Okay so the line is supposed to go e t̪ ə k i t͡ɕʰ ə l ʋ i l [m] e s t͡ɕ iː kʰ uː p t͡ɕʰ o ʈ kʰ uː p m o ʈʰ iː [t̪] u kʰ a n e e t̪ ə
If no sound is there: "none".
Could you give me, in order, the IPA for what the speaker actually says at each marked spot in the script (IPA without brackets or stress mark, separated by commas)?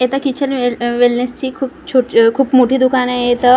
n, d̪